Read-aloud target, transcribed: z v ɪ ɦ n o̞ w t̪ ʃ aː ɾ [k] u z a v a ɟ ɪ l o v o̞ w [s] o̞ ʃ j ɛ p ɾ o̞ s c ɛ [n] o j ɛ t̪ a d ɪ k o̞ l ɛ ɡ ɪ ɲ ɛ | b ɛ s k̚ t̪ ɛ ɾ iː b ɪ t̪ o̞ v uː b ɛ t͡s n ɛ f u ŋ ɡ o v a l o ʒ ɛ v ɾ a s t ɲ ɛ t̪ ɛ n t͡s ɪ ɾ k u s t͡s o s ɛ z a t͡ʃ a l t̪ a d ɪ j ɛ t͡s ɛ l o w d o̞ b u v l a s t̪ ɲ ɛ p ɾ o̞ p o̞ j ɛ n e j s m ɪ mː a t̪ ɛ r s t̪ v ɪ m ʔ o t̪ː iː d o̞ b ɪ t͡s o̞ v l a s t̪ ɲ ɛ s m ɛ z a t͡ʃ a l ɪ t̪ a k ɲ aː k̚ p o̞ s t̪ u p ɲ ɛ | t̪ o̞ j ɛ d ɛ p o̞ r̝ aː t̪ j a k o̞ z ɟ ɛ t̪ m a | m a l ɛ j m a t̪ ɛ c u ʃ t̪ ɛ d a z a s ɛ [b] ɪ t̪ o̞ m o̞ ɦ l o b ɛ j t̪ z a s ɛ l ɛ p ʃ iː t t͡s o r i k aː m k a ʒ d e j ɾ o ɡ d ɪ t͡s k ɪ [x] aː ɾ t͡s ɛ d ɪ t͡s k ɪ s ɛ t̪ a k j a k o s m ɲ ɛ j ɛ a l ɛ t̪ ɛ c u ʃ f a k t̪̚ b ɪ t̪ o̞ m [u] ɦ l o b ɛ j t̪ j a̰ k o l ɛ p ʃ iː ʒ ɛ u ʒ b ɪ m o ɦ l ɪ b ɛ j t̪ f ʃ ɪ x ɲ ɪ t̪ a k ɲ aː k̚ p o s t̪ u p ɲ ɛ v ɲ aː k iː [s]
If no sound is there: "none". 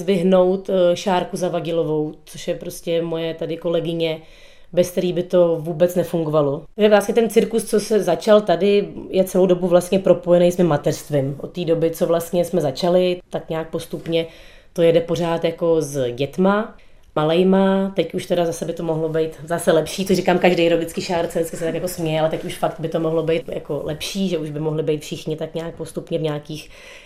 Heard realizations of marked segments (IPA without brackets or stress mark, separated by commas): k, t͡s, m, b, ʃ, o, x